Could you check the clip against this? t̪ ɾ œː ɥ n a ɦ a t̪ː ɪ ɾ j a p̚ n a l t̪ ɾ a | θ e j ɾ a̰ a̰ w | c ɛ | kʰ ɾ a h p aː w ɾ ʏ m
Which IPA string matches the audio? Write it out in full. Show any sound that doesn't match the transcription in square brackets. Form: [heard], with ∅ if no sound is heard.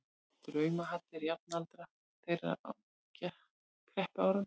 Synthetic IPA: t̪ ɾ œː ɥ [m] a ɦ a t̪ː ɪ ɾ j a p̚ n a l t̪ ɾ a | θ e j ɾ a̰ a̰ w | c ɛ | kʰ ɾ [ɛ] h p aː w ɾ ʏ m

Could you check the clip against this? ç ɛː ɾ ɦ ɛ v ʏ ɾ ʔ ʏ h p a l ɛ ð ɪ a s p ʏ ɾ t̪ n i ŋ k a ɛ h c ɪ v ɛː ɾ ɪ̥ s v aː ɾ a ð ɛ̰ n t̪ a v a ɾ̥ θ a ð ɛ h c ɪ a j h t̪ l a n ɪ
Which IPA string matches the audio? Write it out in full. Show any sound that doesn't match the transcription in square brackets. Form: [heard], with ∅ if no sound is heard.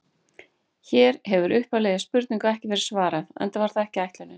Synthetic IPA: ç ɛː ɾ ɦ ɛ v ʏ ɾ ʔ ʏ h p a l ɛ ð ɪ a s p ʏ ɾ t̪ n i ŋ k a ɛ h c ɪ v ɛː ɾ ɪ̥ s v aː ɾ a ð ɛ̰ n t̪ a v a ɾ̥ θ a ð ɛ h c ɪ a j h t̪ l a n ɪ

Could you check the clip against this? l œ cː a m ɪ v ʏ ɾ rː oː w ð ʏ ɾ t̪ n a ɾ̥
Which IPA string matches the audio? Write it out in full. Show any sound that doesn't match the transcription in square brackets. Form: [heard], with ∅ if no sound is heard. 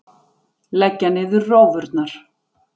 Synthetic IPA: l [ɛ] cː a [n] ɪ [ð] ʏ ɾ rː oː w [v] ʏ ɾ t̪ n a ɾ̥

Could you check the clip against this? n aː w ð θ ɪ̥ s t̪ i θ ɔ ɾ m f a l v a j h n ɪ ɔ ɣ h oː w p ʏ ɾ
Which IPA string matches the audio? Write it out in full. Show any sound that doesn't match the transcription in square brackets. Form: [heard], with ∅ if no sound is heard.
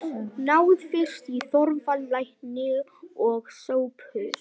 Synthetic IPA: n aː w ð [f] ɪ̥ s t̪ i θ ɔ ɾ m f a l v a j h n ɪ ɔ ɣ [s] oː w p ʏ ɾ

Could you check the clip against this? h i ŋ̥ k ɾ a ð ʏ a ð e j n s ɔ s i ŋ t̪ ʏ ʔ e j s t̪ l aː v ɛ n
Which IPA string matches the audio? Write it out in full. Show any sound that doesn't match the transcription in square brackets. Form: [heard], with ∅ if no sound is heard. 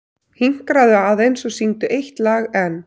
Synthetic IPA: h i ŋ̥ k ɾ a ð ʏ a ð e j n s ɔ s i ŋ t̪ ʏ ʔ e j [h] t̪ l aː [ɣ] ɛ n

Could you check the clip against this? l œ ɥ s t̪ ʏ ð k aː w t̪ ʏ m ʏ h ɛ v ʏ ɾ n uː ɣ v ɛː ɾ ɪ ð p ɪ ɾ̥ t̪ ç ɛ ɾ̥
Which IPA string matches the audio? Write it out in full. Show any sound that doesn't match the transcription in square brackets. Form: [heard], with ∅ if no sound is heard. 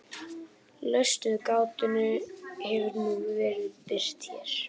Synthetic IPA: l œ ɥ s t̪ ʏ ð k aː w t̪ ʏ [n] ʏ h ɛ v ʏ ɾ n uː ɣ v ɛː ɾ ɪ ð p ɪ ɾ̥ t̪ ç ɛ ɾ̥

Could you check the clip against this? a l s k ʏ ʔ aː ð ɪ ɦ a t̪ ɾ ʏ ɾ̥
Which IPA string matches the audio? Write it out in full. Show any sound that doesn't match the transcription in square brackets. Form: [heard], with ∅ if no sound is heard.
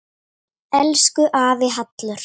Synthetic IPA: [ɛ] l s k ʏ ʔ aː [v] ɪ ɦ a t̪ [l] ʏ ɾ̥

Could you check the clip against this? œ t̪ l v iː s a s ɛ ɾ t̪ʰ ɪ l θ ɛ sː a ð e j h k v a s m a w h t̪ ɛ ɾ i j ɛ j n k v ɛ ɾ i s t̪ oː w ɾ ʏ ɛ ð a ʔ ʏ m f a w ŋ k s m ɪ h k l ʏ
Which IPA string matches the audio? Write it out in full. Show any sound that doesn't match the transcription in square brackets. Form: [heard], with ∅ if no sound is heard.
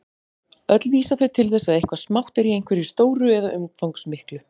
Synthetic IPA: œ t̪ l v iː s a [f] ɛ ɾ t̪ʰ ɪ l θ ɛ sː a ð e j h k v a s m a w h t̪ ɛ ɾ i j [e] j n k v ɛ ɾ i s t̪ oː w ɾ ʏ ɛ ð a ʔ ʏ m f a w ŋ k s m ɪ h k l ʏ

